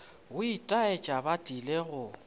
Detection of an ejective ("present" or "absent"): present